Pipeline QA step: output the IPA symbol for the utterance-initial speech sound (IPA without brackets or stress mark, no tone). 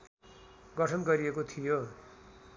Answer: ɡ